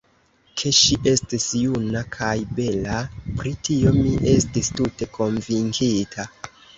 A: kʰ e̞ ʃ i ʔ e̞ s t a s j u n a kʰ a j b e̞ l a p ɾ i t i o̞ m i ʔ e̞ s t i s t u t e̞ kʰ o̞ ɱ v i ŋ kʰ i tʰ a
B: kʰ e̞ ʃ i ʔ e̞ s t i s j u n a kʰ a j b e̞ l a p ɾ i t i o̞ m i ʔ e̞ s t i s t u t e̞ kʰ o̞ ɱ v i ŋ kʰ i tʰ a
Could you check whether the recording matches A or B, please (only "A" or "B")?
B